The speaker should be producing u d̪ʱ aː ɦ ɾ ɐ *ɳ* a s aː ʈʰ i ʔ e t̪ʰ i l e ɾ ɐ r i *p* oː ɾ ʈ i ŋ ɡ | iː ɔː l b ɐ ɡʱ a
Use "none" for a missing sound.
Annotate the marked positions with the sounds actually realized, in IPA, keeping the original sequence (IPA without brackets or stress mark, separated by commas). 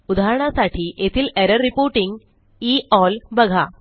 ɳ, p